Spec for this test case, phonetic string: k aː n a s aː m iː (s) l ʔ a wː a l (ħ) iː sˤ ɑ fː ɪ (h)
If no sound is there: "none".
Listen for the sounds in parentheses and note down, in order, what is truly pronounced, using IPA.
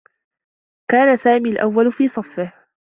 none, f, h

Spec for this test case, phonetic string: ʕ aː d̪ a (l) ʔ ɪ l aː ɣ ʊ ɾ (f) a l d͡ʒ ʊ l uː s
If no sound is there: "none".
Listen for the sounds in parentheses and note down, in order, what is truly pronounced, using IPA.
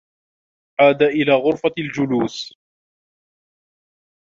none, f

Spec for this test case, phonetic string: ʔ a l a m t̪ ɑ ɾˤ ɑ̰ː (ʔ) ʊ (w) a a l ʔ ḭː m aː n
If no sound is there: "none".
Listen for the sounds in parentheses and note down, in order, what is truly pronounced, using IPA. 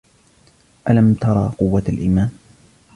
q, wː

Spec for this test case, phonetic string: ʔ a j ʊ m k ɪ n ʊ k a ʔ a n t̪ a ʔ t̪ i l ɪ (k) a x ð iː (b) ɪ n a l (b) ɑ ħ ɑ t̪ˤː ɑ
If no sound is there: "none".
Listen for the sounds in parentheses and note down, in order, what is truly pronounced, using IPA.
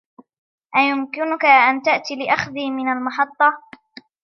ʔ, m, m

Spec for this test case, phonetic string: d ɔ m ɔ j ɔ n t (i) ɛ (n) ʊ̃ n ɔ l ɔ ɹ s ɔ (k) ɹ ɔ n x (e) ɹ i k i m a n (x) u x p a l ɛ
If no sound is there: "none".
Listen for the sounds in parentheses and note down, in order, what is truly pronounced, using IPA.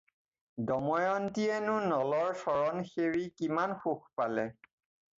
i, n, none, e, x

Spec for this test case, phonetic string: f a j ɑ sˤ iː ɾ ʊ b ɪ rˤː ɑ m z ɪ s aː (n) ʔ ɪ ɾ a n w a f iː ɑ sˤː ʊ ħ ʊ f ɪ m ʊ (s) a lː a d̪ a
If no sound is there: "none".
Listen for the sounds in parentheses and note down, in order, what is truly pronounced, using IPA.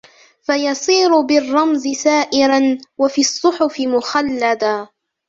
none, x

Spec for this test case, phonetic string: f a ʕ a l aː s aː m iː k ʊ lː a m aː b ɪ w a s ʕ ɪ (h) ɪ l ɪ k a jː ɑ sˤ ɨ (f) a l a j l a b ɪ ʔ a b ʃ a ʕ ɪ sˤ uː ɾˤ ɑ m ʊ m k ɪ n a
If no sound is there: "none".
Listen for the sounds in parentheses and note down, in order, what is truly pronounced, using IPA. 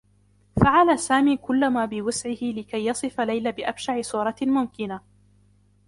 h, f

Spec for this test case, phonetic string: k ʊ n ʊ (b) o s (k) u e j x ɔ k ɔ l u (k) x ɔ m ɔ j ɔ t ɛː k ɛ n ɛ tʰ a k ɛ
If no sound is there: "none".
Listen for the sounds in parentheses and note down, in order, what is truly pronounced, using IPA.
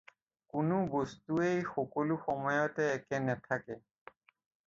b, t, none

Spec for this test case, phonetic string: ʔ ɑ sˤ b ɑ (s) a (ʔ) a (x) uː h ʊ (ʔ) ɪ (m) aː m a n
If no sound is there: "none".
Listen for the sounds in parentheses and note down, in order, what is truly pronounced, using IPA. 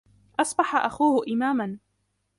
ħ, ʔ, x, ʔ, m

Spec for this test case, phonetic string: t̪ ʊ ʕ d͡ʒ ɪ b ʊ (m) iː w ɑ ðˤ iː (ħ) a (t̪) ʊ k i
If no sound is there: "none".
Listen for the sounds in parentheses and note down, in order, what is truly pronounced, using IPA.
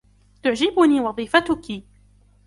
n, f, t̪

